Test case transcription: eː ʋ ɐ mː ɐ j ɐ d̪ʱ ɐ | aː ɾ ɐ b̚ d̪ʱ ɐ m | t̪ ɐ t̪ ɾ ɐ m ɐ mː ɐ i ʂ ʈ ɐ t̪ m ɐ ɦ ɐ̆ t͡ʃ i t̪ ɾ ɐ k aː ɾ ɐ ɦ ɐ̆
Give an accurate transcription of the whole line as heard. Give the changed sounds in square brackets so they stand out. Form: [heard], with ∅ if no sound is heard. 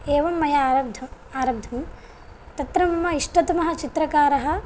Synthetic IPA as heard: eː ʋ ɐ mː ɐ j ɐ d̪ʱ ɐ | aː ɾ ɐ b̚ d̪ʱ ɐ m | t̪ ɐ t̪ ɾ ɐ m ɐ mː ɐ i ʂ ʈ ɐ t̪ m ɐ ɦ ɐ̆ t͡ʃ i t̪ ɾ ɐ k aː ɾ ɐ ɦ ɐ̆